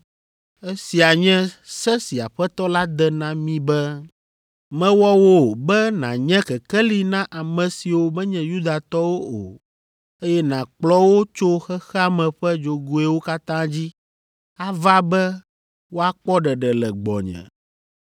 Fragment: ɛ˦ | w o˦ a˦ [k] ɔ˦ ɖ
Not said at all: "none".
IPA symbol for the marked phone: k͡p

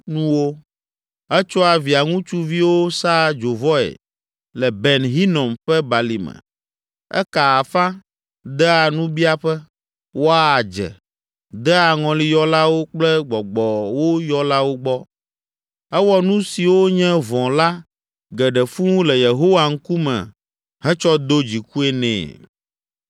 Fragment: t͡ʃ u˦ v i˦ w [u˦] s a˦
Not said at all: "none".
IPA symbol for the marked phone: o˦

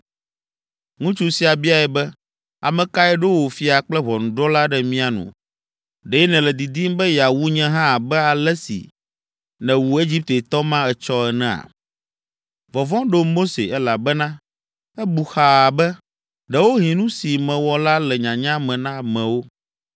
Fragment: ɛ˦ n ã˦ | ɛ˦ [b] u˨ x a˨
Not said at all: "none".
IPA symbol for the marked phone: b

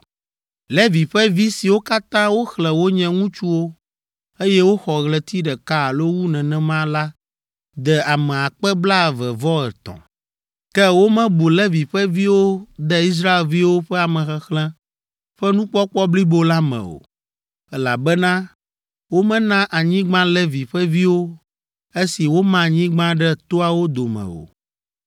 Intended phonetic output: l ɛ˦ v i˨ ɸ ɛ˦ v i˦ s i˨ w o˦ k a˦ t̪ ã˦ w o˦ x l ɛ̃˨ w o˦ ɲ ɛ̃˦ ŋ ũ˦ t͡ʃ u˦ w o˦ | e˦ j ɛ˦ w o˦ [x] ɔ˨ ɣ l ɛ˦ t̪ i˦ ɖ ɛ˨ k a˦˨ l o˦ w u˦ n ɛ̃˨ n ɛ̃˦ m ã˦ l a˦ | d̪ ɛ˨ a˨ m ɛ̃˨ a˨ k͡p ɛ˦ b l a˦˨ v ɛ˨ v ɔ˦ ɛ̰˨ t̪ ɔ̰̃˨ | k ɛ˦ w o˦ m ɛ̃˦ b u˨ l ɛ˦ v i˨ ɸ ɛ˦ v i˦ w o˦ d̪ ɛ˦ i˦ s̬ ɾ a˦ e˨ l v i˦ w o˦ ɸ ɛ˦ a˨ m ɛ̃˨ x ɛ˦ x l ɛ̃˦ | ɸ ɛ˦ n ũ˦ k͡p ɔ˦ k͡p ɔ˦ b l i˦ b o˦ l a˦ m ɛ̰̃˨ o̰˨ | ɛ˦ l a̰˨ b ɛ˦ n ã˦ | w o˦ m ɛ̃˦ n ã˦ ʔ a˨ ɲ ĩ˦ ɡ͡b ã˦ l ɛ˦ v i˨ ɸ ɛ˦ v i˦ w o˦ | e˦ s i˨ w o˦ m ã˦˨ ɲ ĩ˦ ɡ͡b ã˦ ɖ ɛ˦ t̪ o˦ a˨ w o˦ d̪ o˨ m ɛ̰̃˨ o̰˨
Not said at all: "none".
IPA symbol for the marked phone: x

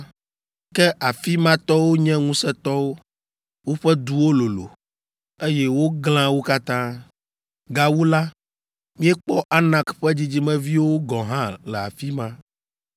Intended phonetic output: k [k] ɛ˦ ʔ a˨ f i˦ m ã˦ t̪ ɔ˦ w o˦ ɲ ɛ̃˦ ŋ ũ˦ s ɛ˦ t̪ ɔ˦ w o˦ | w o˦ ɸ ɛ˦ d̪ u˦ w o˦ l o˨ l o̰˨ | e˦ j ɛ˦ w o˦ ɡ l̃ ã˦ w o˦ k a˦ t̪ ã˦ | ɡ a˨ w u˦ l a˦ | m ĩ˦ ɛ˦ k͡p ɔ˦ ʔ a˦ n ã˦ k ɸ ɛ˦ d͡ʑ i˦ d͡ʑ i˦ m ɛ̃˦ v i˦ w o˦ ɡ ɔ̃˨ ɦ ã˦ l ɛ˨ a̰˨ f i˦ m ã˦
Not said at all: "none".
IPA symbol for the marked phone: k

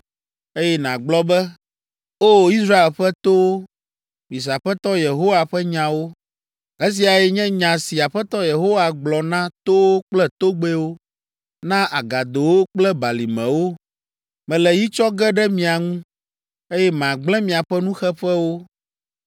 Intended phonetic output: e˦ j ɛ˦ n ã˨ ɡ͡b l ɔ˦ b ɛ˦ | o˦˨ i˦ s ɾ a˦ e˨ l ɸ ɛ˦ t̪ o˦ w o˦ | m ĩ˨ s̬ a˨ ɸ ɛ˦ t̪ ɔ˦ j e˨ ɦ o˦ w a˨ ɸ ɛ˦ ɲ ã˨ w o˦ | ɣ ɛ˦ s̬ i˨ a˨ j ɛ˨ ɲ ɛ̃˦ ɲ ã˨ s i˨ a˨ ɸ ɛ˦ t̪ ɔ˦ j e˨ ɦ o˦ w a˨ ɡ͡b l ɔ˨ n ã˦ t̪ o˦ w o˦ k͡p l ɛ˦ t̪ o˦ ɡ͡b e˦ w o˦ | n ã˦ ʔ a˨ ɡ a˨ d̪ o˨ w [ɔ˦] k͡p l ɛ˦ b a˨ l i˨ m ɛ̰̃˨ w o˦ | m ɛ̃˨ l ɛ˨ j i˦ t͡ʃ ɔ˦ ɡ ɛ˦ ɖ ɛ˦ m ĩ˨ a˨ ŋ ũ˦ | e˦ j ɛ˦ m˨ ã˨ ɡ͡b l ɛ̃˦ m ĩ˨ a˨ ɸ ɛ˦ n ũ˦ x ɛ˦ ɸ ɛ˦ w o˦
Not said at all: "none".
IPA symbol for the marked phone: o˦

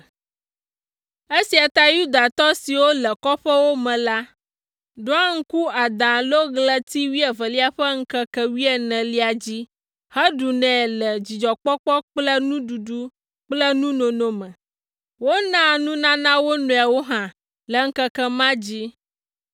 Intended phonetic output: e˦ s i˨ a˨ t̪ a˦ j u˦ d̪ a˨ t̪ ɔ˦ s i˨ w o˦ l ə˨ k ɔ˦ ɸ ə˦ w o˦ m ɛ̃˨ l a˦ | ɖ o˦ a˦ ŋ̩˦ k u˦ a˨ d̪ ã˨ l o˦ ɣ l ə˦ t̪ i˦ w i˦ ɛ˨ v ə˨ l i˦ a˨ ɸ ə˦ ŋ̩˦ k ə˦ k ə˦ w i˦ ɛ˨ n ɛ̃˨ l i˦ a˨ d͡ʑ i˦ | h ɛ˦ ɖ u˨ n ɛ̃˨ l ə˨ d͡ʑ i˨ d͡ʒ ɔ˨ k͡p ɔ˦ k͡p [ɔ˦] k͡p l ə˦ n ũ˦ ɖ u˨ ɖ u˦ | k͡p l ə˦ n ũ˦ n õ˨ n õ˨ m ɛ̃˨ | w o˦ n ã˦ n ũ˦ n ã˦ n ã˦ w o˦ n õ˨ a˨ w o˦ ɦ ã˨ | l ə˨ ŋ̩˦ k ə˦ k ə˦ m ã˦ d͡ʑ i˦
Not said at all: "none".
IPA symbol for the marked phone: ɔ˦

